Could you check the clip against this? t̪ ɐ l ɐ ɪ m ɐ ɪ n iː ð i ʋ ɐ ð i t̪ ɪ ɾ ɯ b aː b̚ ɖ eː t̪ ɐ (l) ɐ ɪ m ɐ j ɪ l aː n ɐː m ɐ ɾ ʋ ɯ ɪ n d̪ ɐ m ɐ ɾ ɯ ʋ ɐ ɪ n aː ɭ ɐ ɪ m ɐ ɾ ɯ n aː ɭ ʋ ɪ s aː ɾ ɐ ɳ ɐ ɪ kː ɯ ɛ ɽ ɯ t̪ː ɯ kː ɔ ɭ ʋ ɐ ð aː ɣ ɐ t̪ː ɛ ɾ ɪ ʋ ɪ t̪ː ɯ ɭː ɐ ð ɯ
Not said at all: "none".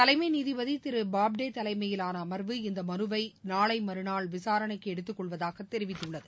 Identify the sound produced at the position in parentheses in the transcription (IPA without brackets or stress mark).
l